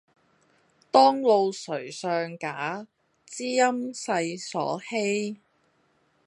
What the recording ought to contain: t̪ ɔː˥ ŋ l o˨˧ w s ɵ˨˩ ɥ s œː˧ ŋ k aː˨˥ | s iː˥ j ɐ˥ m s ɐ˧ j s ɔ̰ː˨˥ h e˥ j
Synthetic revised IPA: t̪ ɔː˥ ŋ l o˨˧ w s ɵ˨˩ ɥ s œː˧ ŋ k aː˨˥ | t͡s iː˥ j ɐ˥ m s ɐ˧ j s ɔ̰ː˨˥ h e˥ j